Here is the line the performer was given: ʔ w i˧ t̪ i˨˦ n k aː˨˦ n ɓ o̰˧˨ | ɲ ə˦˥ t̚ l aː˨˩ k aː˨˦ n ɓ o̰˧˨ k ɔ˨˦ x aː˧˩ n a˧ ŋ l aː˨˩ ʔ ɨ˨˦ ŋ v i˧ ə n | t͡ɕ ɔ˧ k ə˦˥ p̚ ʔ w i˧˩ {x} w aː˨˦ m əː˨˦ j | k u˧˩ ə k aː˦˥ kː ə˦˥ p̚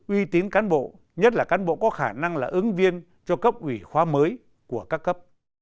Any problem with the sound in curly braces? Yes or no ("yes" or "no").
no